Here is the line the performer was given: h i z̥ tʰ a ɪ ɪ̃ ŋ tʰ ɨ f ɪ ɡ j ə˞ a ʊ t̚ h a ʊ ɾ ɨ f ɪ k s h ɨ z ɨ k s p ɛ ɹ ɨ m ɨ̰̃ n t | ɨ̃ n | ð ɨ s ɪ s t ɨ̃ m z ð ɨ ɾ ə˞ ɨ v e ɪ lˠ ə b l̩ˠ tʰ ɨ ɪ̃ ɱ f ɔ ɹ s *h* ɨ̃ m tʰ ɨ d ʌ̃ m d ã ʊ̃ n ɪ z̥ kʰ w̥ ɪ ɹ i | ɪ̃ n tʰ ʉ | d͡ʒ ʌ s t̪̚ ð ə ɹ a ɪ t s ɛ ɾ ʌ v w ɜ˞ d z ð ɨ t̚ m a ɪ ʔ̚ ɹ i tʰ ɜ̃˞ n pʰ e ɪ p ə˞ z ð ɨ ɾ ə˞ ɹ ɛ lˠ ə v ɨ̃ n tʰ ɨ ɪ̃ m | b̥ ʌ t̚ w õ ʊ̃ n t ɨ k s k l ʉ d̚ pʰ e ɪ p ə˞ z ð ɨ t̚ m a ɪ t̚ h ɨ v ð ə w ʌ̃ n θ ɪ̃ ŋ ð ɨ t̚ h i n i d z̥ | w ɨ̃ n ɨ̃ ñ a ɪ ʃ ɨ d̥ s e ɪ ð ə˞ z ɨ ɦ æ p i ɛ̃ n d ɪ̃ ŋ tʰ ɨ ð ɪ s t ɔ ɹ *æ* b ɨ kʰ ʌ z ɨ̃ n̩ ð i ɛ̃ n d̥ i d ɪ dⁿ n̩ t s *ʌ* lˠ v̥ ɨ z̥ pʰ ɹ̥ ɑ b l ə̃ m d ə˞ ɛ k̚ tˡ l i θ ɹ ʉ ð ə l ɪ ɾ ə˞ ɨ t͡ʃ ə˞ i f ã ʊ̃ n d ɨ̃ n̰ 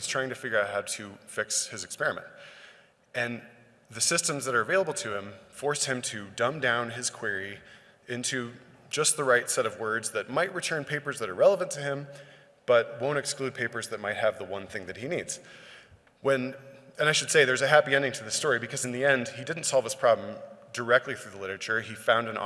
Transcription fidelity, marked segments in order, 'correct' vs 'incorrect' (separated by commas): correct, incorrect, incorrect